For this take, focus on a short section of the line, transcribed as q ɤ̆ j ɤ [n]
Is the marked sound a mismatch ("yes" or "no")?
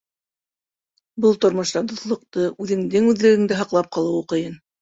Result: no